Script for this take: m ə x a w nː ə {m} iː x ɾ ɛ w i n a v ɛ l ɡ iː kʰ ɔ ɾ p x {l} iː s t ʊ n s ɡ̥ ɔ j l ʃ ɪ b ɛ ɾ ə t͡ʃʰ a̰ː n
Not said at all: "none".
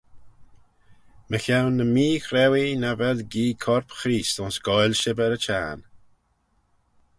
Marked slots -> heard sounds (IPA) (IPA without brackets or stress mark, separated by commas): m, ɾ